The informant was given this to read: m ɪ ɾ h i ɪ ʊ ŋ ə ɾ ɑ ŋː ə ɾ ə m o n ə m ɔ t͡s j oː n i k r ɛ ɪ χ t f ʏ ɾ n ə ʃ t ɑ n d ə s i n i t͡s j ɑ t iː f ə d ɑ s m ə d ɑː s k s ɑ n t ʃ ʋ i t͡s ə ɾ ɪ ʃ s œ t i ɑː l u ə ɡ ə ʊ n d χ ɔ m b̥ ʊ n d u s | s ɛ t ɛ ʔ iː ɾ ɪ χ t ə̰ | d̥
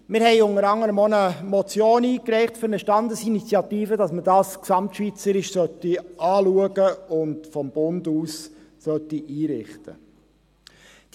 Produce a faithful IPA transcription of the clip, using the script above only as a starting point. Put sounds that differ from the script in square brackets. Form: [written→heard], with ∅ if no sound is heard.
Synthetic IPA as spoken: m ɪ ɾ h [i→ɛ] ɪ ʊ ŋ ə ɾ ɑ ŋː ə ɾ ə m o n ə m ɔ t͡s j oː n [i→iː] k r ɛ ɪ χ t f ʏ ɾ n ə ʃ t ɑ n d ə s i n i t͡s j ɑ t iː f ə d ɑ s m ə d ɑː s k s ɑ [n→m] t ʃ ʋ i t͡s ə ɾ ɪ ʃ s œ t i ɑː l u ə ɡ ə ʊ n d [χ→f] ɔ m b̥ ʊ n d [u→uː] s | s [ɛ→œ] t [ɛ→i] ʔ iː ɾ ɪ χ t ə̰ | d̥